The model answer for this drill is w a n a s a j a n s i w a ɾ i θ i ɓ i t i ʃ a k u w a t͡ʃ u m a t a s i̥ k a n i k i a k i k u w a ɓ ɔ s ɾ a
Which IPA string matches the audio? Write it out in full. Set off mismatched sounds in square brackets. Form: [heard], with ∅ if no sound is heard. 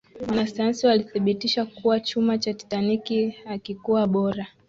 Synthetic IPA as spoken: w a n a s a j a n s i w a [l] i θ i ɓ i t i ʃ a k u w a t͡ʃ u m a [t͡ʃ] a [t] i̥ [t] a n i k i a k i k u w a ɓ ɔ [∅] ɾ a

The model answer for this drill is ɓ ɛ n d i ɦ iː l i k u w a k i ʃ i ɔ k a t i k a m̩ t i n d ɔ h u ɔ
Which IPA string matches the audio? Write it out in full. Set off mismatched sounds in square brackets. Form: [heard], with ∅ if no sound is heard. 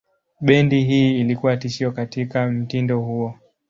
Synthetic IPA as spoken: ɓ ɛ n d i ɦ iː l i k u w a [t] i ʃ i ɔ k a t i k a m̩ t i n d ɔ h u ɔ

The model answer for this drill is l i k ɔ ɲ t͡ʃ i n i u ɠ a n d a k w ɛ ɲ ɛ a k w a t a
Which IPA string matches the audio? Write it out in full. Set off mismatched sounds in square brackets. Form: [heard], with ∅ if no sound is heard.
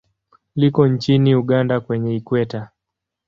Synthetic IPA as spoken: l i k ɔ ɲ t͡ʃ i n i u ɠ a n d a k w ɛ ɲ ɛ [i] k w [ɛ] t a

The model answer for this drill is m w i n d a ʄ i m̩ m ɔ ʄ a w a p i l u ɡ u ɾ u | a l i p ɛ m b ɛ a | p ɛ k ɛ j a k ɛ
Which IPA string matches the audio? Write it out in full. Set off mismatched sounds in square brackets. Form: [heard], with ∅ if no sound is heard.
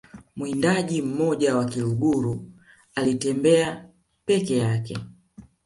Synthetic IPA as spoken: m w i n d a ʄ i m̩ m ɔ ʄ a w a [k] i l u ɡ u ɾ u | a l i [t] ɛ m b ɛ a | p ɛ k ɛ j a k ɛ

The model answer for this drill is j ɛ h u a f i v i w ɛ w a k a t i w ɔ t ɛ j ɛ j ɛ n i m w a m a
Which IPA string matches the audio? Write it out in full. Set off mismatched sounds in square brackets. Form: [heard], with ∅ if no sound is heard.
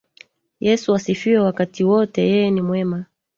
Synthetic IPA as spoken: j ɛ [s] u a [s] i [f] i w ɛ w a k a t i w ɔ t ɛ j ɛ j ɛ n i m w [ɛ] m a

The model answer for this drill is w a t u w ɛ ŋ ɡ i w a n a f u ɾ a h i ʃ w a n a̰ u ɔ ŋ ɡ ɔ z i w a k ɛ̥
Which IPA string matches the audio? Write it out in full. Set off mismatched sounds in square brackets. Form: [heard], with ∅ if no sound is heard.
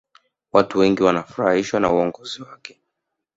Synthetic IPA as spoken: w a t u w ɛ ŋ ɡ i w a n a f u ɾ a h i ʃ w a n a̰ u ɔ ŋ ɡ ɔ z i w a k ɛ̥

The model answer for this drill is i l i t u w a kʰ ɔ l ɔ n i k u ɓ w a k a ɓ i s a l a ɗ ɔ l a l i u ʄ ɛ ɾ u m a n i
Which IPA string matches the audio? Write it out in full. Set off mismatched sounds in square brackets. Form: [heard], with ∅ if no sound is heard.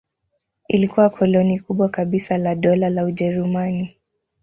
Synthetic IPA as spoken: i l i [k] u w a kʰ ɔ l ɔ n i k u ɓ w a k a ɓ i s a l a ɗ ɔ l a l [a] u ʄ ɛ ɾ u m a n i

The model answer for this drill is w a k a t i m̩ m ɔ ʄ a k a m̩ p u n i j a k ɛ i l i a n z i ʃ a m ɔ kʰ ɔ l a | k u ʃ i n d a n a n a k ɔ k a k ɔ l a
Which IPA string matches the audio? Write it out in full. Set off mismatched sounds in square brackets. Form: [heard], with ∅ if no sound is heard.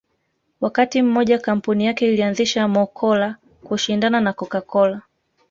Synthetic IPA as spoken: w a k a t i m̩ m ɔ ʄ a k a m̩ p u n i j a k ɛ i l i a n z i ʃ a m ɔ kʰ ɔ l a | k u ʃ i n d a n a n a k ɔ k a k ɔ l a

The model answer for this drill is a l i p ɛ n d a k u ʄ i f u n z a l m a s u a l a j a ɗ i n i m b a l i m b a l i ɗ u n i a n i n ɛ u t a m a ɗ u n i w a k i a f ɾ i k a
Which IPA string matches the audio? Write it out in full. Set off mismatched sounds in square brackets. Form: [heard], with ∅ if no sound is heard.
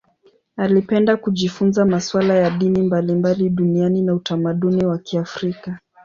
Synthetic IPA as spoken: a l i p ɛ n d a k u ʄ i f u n z a [∅] m a s [w] a l a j a ɗ i n i m b a l i m b a l i ɗ u n i a n i n [a] u t a m a ɗ u n i w a k i a f ɾ i k a

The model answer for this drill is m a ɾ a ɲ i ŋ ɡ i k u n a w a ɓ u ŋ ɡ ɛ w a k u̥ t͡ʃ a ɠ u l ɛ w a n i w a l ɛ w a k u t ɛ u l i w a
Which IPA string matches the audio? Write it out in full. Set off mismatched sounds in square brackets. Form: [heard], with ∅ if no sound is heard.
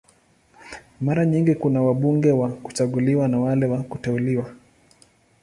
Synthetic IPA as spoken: m a ɾ a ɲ i ŋ ɡ i k u n a w a ɓ u ŋ ɡ ɛ w a k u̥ t͡ʃ a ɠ u l [i] w a n [a] w a l ɛ w a k u t ɛ u l i w a

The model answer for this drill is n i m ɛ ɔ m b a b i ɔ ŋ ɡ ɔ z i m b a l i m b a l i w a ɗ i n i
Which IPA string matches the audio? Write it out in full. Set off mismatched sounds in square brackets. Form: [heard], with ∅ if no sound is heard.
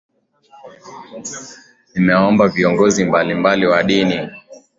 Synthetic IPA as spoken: n i m ɛ ɔ m b a [v] i ɔ ŋ ɡ ɔ z i m b a l i m b a l i w a ɗ i n i

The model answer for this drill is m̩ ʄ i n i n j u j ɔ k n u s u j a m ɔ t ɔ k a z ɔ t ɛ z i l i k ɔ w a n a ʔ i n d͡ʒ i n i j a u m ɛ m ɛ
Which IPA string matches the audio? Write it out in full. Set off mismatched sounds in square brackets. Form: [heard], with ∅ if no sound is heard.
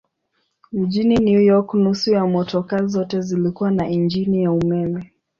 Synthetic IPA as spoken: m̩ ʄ i n i n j u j ɔ k n u s u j a m ɔ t ɔ k a z ɔ t ɛ z i l i k [u] w a n a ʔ i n d͡ʒ i n i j a u m ɛ m ɛ

